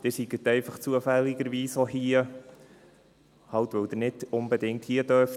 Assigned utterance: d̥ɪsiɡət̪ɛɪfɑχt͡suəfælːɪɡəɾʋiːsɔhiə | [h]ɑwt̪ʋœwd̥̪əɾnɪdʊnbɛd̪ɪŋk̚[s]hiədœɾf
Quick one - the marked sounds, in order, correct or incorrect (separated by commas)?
correct, incorrect